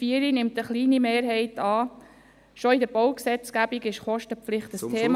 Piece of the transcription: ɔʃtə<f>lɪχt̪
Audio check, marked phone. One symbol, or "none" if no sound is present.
f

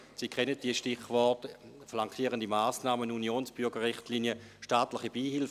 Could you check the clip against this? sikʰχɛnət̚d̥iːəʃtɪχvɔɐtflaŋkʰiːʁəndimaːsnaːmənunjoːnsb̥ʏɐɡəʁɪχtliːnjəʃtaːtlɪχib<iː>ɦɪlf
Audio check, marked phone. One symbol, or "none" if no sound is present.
iː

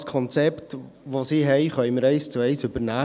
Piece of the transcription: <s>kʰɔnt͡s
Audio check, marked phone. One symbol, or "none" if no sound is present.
s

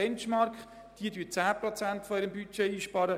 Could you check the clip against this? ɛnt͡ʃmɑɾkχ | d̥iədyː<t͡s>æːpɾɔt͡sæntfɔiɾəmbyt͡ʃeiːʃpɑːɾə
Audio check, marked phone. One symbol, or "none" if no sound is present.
t͡s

